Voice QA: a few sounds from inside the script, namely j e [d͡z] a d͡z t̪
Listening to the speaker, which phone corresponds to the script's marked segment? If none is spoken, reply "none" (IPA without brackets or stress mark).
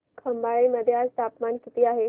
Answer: none